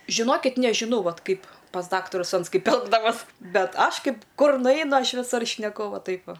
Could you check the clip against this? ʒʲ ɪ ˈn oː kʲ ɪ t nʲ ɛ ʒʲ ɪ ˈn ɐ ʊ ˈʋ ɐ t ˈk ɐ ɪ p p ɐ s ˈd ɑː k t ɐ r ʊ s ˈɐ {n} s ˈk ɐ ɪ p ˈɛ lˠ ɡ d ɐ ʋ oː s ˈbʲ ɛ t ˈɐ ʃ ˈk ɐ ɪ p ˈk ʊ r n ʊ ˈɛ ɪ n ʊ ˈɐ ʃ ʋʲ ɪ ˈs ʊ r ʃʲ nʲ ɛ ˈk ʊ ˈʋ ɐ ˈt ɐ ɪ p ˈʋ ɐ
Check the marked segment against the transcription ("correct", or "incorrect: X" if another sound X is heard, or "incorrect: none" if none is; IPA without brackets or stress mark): correct